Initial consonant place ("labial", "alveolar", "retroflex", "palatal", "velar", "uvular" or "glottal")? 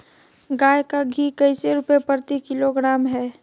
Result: velar